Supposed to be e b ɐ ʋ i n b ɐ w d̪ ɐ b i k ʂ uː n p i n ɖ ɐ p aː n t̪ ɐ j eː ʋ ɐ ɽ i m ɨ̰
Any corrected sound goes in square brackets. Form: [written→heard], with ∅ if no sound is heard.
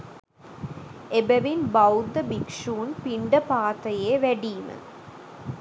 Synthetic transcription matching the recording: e b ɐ ʋ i n b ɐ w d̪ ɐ b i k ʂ uː n p i [n→ɳ] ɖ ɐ p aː [n→∅] t̪ ɐ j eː ʋ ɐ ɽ i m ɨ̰